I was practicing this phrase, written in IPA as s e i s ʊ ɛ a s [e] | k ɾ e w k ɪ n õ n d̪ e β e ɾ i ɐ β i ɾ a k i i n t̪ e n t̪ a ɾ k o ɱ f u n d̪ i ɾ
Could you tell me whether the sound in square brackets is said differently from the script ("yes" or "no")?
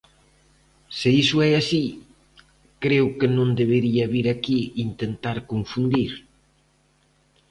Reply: yes